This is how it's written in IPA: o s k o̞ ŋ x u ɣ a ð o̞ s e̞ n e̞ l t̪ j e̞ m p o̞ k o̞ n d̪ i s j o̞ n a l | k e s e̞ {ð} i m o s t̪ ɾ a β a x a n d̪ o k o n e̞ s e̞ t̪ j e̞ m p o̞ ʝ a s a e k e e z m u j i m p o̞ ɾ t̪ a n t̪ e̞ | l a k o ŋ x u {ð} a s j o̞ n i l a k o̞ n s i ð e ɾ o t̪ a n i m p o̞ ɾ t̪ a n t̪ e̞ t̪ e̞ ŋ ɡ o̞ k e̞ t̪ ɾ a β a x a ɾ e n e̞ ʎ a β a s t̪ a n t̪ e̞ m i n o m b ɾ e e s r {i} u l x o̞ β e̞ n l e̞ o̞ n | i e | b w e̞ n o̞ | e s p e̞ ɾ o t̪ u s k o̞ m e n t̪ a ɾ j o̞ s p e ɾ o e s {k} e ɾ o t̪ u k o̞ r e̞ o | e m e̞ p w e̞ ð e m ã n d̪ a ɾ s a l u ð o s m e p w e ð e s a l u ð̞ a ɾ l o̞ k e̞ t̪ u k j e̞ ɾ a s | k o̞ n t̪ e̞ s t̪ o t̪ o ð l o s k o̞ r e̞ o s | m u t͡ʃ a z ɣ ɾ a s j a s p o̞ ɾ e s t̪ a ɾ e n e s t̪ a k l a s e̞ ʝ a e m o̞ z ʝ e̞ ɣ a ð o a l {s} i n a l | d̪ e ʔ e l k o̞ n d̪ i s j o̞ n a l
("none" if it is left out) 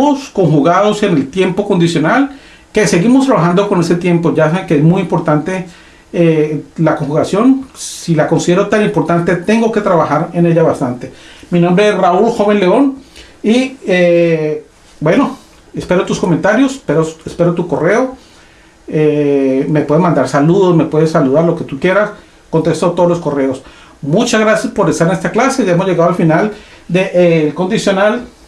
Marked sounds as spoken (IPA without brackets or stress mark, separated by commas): ɣ, ɣ, a, p, f